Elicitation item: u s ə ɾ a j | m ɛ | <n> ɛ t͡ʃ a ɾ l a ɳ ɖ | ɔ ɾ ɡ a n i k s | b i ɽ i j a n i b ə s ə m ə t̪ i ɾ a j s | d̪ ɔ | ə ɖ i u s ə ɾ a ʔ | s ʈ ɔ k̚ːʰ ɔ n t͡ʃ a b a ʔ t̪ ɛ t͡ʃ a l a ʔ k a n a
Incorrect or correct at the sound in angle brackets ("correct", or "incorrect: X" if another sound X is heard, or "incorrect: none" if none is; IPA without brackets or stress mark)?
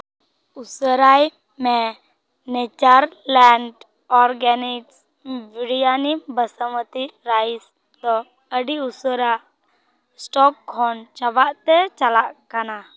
correct